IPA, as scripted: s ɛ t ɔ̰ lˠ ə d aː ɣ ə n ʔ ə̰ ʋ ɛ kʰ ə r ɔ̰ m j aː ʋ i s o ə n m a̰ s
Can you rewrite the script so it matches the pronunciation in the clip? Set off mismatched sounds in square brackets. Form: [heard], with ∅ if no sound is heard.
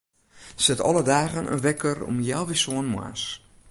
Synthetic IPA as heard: s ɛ t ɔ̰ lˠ ə d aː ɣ ə n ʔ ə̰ ʋ ɛ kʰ ə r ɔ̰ m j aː ʋ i s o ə n m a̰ s